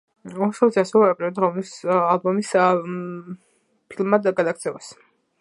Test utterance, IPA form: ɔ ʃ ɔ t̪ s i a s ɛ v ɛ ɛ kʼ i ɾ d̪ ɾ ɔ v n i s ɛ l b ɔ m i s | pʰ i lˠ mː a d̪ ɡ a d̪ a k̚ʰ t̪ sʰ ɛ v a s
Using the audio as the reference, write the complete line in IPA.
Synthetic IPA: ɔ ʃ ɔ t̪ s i a s ɛ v ɛ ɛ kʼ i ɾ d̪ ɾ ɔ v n i s a l b ɔ m i s | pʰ i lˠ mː a d̪ ɡ a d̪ a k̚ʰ t̪ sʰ ɛ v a s